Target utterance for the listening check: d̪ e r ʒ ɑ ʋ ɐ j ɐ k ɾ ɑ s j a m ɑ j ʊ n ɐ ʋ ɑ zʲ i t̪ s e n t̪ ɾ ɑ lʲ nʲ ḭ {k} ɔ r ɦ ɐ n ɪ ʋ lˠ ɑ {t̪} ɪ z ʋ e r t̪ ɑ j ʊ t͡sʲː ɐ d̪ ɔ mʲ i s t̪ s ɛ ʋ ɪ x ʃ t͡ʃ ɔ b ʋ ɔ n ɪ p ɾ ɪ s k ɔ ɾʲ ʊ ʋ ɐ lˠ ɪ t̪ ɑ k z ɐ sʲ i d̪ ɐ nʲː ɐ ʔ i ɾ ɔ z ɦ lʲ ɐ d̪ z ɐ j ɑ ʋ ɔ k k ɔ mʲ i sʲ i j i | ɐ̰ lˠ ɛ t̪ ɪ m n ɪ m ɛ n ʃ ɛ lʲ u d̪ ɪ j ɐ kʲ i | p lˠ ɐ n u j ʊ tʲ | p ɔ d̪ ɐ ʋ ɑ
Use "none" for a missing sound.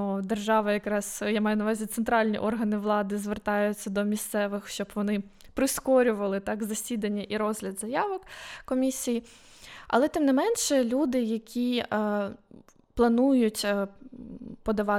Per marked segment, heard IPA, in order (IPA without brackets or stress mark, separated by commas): ʔ, d̪